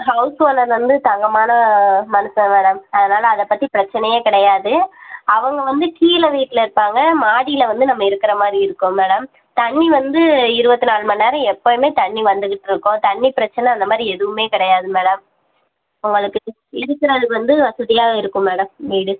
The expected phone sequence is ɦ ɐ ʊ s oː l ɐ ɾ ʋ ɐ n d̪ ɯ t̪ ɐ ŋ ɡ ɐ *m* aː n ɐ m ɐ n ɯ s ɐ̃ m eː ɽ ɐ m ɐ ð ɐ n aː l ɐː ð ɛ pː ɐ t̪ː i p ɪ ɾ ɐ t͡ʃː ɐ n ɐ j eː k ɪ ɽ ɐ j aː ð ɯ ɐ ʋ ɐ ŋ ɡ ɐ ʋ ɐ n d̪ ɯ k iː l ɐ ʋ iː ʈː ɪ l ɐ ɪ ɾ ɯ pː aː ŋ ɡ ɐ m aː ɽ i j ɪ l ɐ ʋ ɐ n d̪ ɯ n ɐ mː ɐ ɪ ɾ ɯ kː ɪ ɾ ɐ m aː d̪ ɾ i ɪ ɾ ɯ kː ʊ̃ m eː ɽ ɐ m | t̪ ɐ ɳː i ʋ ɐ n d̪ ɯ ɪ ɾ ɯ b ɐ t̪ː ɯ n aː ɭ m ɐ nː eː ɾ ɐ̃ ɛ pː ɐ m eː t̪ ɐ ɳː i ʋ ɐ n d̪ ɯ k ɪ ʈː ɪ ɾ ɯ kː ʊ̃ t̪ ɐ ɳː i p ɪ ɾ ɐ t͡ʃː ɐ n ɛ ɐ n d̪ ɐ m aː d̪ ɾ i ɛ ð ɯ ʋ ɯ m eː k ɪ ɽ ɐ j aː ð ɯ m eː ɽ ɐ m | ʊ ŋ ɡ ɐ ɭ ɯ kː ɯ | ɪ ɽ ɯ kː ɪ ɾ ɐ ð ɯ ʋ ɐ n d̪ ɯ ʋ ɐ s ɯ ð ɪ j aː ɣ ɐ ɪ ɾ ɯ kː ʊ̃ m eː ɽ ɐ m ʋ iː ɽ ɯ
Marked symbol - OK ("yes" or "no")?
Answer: yes